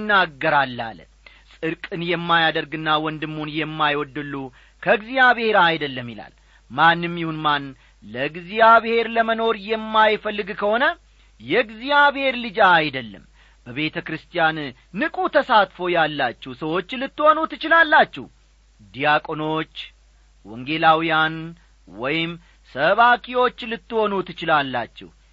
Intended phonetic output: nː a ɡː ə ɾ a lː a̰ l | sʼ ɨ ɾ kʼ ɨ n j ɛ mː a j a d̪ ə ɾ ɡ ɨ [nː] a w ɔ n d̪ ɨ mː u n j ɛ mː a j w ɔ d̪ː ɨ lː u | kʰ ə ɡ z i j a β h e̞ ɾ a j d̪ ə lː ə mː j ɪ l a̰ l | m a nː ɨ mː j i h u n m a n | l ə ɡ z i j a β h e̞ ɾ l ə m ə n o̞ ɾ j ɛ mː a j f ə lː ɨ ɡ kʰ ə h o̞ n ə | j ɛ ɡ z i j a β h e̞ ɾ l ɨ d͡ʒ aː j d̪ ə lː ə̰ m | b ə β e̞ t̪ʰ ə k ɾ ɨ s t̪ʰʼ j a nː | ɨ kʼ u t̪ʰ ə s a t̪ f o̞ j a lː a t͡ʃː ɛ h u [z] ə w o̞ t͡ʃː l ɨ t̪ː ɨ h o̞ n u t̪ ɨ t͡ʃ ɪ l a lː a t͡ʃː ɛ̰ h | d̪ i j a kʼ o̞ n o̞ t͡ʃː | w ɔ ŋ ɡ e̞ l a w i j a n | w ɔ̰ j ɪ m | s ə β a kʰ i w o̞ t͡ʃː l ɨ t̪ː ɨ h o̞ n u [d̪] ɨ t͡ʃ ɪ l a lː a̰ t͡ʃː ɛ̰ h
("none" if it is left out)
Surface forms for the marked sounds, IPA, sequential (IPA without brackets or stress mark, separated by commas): nː, s, t̪